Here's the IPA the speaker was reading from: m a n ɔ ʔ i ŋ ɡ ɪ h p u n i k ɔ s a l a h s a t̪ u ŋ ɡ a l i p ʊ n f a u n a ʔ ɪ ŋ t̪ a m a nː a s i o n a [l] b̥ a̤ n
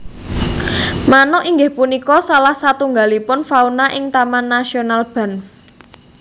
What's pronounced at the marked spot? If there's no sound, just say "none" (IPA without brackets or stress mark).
l